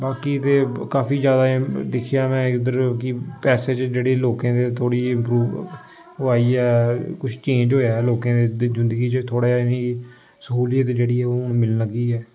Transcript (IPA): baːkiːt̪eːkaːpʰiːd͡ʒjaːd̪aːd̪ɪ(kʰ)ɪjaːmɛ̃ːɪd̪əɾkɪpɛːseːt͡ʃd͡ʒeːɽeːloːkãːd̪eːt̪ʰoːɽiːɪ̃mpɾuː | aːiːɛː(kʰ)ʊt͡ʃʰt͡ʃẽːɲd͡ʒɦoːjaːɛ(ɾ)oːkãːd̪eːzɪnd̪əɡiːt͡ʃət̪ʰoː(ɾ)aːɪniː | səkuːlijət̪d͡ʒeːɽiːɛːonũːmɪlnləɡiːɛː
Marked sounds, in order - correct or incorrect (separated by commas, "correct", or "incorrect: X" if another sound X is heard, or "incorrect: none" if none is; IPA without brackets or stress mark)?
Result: correct, incorrect: k, incorrect: l, incorrect: ɽ